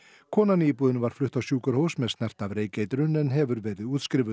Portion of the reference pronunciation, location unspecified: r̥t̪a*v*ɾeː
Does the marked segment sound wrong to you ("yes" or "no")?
no